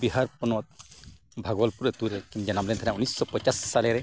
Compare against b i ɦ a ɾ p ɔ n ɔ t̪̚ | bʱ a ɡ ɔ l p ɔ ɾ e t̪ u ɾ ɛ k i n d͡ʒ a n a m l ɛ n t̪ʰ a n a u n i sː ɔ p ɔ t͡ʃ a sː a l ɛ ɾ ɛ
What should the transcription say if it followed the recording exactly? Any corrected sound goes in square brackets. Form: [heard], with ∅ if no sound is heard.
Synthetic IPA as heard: b i ɦ a ɾ p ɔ n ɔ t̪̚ | bʱ a ɡ ɔ l p [u] ɾ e t̪ u ɾ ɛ k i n d͡ʒ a n a m l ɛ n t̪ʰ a n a u n i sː ɔ p ɔ t͡ʃ a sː a l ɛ ɾ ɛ